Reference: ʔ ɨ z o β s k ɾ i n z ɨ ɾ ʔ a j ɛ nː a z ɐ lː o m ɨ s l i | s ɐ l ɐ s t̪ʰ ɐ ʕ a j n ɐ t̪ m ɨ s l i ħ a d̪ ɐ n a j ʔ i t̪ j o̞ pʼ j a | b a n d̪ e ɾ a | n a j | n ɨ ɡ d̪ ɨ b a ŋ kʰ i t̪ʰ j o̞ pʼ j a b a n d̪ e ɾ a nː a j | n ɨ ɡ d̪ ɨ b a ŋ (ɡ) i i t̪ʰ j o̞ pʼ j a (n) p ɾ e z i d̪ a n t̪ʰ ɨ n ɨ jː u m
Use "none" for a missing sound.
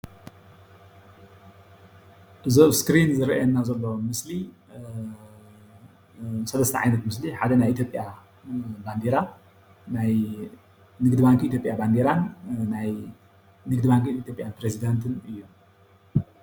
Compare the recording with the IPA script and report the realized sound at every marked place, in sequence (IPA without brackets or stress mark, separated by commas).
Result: k, n